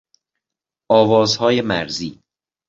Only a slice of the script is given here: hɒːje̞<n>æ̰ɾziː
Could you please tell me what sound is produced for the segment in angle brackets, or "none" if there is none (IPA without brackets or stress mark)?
m